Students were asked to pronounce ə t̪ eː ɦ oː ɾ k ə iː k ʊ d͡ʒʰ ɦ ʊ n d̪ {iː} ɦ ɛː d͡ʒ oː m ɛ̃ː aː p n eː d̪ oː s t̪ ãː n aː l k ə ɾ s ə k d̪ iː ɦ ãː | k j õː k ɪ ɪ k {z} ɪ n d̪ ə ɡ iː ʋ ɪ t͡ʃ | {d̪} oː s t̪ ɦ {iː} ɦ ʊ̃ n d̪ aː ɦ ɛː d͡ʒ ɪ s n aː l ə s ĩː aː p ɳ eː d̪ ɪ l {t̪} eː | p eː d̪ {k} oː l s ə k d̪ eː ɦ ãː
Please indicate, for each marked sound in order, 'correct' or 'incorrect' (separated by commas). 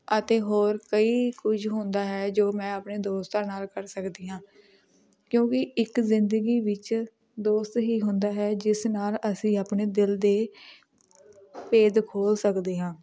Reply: incorrect, correct, correct, correct, incorrect, incorrect